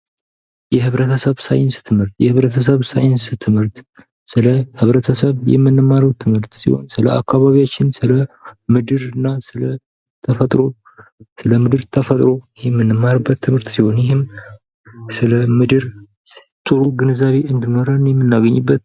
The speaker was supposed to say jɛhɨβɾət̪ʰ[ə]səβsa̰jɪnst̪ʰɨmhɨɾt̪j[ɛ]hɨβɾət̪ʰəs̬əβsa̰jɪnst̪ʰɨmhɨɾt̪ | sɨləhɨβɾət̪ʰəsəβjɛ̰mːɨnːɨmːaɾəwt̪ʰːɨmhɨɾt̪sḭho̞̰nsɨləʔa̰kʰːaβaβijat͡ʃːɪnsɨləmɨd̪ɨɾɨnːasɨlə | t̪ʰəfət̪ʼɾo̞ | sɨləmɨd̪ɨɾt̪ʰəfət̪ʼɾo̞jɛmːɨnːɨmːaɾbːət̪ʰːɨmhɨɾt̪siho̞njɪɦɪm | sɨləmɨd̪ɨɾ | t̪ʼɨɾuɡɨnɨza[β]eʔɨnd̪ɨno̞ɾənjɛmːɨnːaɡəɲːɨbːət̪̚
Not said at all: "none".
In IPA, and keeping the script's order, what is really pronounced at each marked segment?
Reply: ə, ɛ, β

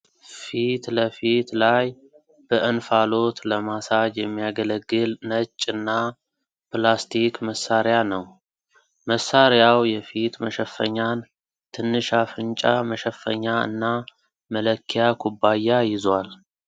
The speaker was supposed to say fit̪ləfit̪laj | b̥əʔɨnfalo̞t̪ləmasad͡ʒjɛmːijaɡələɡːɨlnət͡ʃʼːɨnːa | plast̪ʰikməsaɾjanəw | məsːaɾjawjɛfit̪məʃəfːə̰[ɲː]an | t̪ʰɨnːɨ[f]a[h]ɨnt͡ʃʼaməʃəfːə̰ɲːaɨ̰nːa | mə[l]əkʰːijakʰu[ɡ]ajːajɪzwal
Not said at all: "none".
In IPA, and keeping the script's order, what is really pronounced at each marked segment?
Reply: ɲː, ʃ, f, l, b

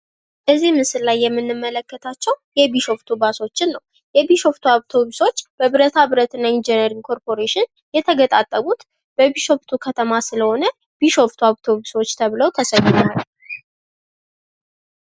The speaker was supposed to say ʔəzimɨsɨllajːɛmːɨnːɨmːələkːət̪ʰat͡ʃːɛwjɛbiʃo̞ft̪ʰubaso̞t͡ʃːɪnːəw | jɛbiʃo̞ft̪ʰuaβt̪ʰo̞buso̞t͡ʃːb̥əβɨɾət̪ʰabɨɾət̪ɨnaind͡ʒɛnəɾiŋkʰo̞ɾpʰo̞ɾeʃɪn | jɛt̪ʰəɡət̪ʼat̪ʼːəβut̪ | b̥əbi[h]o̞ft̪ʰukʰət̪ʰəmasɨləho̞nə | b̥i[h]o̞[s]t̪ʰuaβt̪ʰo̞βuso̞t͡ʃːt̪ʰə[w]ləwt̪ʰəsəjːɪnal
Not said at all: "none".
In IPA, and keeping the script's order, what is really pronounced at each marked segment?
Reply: ʃ, ʃ, f, β

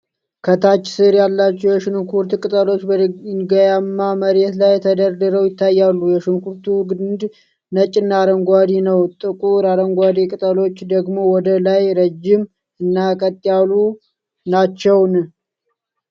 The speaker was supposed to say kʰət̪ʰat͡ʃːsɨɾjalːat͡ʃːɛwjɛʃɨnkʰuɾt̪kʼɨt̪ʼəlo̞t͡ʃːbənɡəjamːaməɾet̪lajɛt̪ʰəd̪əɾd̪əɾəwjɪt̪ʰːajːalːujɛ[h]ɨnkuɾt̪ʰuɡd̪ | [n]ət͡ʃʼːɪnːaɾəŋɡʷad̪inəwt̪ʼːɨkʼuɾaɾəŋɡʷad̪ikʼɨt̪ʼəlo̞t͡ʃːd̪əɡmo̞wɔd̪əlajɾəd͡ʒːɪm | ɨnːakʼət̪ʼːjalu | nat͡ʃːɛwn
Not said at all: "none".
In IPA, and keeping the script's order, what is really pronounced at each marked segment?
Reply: ʃ, n

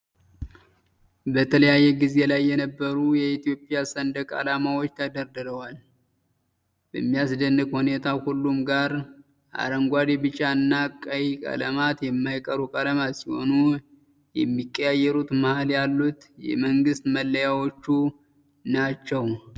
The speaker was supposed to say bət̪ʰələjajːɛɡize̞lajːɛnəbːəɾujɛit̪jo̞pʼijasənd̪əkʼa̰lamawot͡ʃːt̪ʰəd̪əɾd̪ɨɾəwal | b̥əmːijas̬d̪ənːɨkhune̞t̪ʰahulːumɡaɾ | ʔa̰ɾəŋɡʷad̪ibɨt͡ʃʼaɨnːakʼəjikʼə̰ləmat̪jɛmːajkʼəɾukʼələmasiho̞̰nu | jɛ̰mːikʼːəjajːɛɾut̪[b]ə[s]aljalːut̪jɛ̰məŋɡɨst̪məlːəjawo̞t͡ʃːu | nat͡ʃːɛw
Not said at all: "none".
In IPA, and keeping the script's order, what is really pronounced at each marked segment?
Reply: m, h

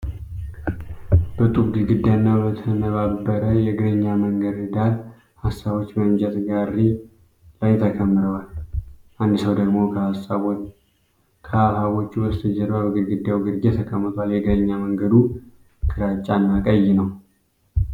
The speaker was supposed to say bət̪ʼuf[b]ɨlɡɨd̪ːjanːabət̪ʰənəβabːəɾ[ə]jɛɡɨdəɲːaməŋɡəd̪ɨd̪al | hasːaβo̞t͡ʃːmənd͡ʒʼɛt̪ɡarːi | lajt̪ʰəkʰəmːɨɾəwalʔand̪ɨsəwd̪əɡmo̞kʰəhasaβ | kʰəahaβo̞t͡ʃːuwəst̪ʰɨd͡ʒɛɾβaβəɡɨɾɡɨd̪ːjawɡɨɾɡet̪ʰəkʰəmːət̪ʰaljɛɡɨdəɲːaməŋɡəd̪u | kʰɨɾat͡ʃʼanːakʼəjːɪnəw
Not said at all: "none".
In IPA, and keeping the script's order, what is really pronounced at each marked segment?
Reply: ɡ, ə

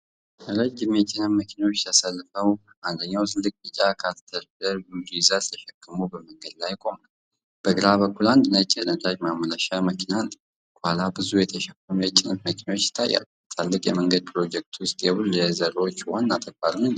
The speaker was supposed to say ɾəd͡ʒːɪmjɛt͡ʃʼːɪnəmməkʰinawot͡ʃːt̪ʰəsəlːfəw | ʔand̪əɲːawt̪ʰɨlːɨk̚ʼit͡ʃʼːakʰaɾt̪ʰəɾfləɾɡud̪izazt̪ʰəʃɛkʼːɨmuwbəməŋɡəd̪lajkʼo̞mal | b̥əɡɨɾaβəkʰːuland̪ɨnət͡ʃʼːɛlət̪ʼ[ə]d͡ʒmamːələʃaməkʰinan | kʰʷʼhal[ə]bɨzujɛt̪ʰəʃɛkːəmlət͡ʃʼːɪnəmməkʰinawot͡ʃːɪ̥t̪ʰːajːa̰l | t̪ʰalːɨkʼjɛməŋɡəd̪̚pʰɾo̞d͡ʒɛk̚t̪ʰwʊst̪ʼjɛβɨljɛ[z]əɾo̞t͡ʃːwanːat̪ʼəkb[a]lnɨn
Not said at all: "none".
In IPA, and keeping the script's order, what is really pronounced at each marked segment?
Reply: a, a, z, a

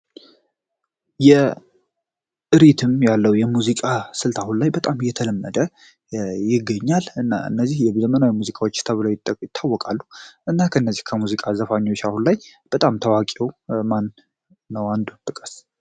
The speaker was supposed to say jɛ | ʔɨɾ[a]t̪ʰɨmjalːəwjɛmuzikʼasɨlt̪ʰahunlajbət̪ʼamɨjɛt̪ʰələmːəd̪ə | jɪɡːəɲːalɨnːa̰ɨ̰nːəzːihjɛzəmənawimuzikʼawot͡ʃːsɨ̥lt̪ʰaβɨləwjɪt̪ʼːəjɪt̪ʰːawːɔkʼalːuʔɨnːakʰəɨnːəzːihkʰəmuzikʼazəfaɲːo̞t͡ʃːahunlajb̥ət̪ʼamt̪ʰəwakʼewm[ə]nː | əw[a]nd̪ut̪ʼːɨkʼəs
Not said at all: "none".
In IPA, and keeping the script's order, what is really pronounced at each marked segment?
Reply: i, a, a

